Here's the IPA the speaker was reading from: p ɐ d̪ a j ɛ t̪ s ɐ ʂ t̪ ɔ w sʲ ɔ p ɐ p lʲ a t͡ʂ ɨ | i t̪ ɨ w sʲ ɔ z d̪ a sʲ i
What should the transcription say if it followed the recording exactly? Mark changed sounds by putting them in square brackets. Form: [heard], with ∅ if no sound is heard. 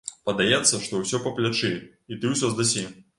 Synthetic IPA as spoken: p ɐ d̪ a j ɛ t̪ [sː] ɐ ʂ t̪ ɔ w sʲ ɔ p ɐ p lʲ a t͡ʂ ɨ | i t̪ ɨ w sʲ ɔ z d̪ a sʲ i